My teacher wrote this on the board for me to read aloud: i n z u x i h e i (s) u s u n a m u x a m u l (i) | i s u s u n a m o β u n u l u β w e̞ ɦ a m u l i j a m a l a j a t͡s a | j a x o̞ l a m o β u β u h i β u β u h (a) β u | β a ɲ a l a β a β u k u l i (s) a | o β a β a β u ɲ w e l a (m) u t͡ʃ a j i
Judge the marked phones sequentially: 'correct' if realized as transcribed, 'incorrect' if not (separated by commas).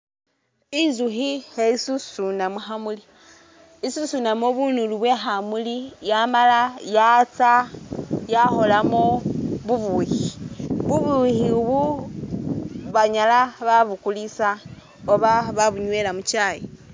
correct, correct, incorrect, correct, correct